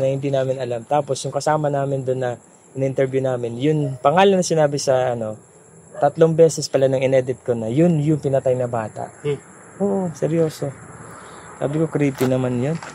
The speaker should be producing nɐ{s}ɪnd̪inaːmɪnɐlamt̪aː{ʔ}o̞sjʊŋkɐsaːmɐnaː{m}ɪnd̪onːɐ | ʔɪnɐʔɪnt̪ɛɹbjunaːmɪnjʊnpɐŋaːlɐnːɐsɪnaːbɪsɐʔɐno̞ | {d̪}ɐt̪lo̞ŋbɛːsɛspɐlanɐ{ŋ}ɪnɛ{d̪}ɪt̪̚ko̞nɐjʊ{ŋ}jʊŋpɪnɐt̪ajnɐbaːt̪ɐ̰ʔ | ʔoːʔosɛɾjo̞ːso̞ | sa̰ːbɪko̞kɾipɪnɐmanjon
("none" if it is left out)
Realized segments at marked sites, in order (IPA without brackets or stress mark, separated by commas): h, p, m, t̪, ŋ, d̪, n